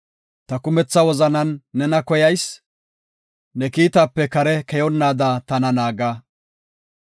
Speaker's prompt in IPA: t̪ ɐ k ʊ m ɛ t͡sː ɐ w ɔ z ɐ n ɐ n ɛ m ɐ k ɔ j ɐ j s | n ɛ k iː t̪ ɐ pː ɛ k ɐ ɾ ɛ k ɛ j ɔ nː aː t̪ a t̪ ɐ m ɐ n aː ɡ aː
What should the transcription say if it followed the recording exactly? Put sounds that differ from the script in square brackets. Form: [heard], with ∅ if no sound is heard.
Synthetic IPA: t̪ ɐ k ʊ m ɛ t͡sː ɐ w ɔ z ɐ n ɐ [nː] ɛ [n] ɐ k ɔ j ɐ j s | n ɛ k iː t̪ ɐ pː ɛ k ɐ ɾ ɛ k ɛ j ɔ nː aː [d̪] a t̪ ɐ [n] ɐ n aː ɡ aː

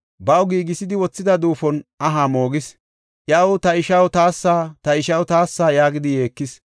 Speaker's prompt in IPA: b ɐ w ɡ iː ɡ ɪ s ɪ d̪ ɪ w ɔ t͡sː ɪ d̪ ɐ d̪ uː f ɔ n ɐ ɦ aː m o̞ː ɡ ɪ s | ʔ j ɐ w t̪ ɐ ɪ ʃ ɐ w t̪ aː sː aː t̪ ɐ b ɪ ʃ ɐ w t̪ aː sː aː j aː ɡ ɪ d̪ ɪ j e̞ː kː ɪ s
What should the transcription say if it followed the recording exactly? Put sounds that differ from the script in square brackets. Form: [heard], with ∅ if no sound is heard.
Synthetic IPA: b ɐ w ɡ iː ɡ ɪ s ɪ d̪ ɪ w ɔ t͡sː ɪ d̪ ɐ d̪ uː f ɔ n ɐ ɦ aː m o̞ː ɡ ɪ s | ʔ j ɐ w t̪ ɐ ɪ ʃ ɐ w t̪ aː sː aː t̪ ɐ [∅] ɪ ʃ ɐ w t̪ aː sː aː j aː ɡ ɪ d̪ ɪ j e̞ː kː ɪ s

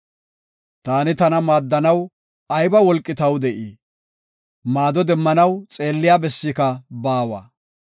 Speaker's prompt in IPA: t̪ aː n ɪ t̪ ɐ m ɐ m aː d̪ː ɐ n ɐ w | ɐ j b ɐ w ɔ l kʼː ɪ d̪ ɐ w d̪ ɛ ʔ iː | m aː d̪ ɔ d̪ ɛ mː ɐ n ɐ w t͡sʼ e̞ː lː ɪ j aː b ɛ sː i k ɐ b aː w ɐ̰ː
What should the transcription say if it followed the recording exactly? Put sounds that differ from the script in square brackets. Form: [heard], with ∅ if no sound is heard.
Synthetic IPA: t̪ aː n ɪ t̪ ɐ [n] ɐ m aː d̪ː ɐ n ɐ w | ɐ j b ɐ w ɔ l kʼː ɪ [t̪] ɐ w d̪ ɛ ʔ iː | m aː d̪ ɔ d̪ ɛ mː ɐ n ɐ w t͡sʼ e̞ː lː ɪ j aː b ɛ sː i k ɐ b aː w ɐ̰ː

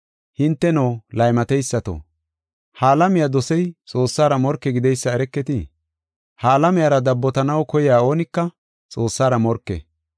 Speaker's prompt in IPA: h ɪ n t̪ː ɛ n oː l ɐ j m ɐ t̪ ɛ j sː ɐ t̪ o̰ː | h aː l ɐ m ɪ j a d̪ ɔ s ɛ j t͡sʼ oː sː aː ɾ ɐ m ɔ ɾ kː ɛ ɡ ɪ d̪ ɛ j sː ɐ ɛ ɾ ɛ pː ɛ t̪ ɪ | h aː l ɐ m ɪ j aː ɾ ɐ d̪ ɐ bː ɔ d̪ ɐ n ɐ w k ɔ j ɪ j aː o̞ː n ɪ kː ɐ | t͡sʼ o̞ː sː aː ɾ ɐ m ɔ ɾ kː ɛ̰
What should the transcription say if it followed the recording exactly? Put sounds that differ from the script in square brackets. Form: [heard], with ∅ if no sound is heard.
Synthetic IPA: h ɪ n t̪ː ɛ n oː l ɐ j m ɐ t̪ ɛ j sː ɐ t̪ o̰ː | h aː l ɐ m ɪ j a d̪ ɔ s ɛ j t͡sʼ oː sː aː ɾ ɐ m ɔ ɾ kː ɛ ɡ ɪ d̪ ɛ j sː ɐ ɛ ɾ ɛ [kː] ɛ t̪ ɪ | h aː l ɐ m ɪ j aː ɾ ɐ d̪ ɐ bː ɔ [t̪] ɐ n ɐ w k ɔ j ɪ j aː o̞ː n ɪ kː ɐ | t͡sʼ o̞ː sː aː ɾ ɐ m ɔ ɾ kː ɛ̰

